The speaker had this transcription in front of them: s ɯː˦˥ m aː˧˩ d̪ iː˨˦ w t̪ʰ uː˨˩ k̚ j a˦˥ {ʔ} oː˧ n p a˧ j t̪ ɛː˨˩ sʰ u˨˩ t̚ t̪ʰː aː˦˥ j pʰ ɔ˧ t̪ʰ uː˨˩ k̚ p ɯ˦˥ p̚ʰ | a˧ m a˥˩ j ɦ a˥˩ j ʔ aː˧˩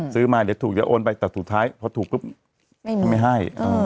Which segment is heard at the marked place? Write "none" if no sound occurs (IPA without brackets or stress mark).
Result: ʔ